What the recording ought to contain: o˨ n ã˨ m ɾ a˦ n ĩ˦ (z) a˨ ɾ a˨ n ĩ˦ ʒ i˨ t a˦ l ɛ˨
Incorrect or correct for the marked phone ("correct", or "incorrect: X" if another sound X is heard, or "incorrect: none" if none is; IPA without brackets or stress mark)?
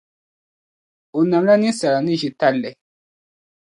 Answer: incorrect: s